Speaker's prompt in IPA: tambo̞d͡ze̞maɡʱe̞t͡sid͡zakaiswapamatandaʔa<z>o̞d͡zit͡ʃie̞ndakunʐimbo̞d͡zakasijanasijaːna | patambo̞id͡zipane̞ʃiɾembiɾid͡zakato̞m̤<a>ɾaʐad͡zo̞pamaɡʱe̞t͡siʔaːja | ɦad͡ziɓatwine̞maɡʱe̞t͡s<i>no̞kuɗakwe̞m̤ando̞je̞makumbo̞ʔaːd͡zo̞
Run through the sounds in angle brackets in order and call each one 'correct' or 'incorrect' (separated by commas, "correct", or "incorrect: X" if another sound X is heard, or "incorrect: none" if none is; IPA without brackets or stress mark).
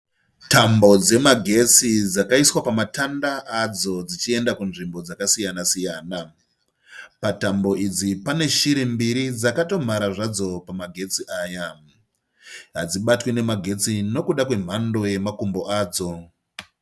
incorrect: d͡z, correct, correct